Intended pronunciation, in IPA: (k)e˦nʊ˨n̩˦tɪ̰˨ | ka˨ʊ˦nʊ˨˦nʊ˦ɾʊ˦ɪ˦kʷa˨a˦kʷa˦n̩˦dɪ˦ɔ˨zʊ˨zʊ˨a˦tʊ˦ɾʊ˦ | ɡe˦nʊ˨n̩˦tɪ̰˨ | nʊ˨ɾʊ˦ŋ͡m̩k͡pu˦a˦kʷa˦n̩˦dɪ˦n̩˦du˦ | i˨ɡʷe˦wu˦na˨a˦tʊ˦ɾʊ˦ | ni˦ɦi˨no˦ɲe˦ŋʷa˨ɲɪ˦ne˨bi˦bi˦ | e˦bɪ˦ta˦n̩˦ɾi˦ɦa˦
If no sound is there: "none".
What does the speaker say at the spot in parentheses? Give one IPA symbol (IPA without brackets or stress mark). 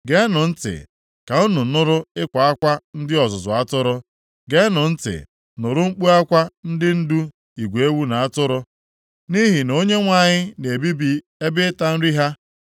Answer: ɡ